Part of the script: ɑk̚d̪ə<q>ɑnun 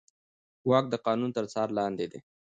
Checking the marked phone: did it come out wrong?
no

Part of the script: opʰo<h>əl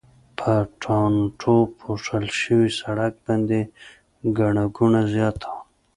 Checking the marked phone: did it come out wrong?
yes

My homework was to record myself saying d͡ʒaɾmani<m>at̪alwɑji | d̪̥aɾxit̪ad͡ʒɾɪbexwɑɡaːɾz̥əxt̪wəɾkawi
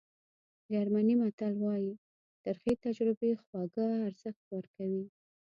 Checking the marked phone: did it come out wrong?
no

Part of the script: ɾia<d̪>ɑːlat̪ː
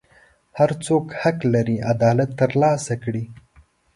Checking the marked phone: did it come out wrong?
no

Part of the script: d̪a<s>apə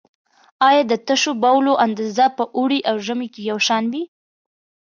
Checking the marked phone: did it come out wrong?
yes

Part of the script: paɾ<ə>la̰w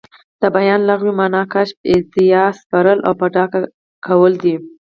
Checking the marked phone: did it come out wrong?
no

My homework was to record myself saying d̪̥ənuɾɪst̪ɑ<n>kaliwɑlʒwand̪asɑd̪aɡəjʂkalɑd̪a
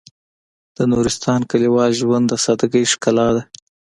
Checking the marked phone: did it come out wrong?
no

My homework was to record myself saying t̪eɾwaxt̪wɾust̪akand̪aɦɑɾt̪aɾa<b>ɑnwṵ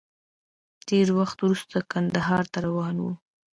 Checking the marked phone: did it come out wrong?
yes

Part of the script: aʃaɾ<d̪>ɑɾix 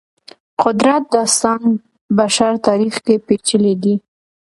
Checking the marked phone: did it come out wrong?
yes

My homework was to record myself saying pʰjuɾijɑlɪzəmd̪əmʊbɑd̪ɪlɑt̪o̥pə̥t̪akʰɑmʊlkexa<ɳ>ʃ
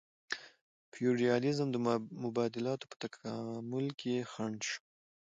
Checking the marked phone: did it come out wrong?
no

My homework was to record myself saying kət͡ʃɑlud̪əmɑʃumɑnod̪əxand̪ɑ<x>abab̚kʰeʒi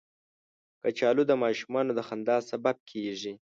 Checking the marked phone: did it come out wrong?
yes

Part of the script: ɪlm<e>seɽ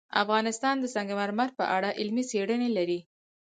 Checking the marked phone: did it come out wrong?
yes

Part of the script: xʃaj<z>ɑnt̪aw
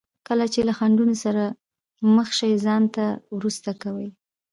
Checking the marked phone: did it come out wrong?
no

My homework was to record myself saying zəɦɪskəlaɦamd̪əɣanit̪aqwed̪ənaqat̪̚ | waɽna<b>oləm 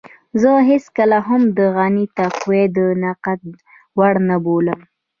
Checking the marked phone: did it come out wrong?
no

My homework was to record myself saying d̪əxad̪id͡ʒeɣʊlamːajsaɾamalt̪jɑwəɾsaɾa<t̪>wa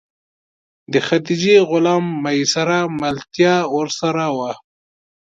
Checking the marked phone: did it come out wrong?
yes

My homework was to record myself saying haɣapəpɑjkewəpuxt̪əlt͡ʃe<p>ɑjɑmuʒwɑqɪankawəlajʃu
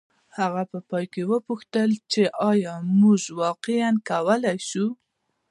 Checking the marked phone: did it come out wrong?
yes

